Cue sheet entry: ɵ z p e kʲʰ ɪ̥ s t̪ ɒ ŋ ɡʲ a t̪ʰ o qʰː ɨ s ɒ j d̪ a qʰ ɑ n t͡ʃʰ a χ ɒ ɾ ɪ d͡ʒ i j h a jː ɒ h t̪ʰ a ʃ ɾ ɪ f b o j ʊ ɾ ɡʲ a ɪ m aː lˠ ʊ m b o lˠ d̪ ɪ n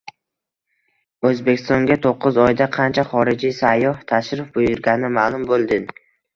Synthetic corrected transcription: ɵ z b e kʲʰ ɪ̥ s t̪ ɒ ŋ ɡʲ a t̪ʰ o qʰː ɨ z ɒ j d̪ a qʰ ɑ n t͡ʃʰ a χ ɒ ɾ ɪ d͡ʒ i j s a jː ɒ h t̪ʰ a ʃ ɾ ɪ f b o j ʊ ɾ ɡʲ a ɪ m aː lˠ ʊ m b o lˠ d̪ ɪ n

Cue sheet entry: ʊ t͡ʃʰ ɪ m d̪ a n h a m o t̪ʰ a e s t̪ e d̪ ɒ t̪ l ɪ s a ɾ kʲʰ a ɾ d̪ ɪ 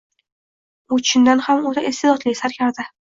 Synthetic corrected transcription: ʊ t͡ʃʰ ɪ n d̪ a n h a m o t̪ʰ a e s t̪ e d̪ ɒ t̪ l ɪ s a ɾ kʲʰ a ɾ d̪ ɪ

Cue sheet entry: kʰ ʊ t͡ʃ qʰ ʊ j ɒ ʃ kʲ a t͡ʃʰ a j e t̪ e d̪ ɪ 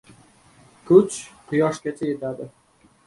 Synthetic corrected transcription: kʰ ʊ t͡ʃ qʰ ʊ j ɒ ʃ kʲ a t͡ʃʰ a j e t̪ a d̪ ɪ

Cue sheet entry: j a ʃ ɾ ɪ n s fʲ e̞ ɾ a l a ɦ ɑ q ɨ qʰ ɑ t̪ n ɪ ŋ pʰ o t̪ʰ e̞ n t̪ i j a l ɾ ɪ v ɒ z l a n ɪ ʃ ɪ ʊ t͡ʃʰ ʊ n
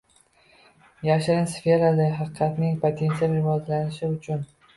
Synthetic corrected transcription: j a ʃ ɾ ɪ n s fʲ e̞ ɾ a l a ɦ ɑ q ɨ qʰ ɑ t̪ n ɪ ŋ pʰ o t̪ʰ e̞ n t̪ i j a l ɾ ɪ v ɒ z l a n ɪ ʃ ɪ ʊ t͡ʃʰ ʊ n

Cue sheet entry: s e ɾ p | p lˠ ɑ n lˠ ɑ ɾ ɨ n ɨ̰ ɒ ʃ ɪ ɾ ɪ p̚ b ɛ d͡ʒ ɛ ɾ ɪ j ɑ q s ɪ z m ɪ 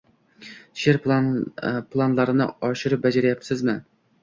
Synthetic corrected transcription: ʃ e ɾ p | p lˠ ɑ n lˠ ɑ ɾ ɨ n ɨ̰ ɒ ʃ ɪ ɾ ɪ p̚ b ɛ d͡ʒ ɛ ɾ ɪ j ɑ p s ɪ z m ɪ

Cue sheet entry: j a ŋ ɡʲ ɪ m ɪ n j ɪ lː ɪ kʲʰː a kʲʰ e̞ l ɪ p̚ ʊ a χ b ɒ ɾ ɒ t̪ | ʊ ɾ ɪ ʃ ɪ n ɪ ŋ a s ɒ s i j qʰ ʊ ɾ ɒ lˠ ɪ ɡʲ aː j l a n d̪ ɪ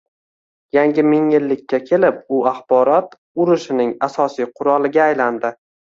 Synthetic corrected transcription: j a ŋ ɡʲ ɪ m ɪ ŋ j ɪ lː ɪ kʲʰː a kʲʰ e̞ l ɪ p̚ ʊ a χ b ɒ ɾ ɒ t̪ | ʊ ɾ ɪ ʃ ɪ n ɪ ŋ a s ɒ s i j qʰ ʊ ɾ ɒ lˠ ɪ ɡʲ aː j l a n d̪ ɪ

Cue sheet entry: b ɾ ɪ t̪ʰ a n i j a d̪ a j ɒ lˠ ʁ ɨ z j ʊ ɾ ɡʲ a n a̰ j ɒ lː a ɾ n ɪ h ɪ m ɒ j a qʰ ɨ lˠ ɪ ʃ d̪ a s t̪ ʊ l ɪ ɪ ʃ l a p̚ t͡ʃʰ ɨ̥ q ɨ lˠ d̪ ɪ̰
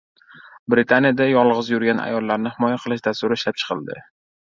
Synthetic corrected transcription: b ɾ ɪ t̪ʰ a n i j a d̪ a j ɒ lˠ ʁ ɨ z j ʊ ɾ ɡʲ a n a̰ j ɒ lː a ɾ n ɪ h ɪ m ɒ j a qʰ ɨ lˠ ɪ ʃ d̪ a s t̪ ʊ ɾ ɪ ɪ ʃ l a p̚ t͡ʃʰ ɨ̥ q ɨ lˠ d̪ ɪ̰

